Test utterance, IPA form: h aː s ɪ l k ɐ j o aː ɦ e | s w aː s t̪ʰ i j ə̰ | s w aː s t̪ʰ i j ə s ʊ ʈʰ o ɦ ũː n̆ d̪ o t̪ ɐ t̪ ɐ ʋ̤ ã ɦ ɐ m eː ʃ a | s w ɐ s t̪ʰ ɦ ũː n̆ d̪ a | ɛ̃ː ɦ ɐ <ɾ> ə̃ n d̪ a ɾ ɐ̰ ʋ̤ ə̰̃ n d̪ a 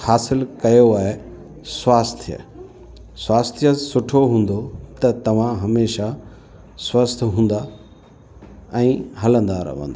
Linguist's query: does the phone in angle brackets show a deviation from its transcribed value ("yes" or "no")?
yes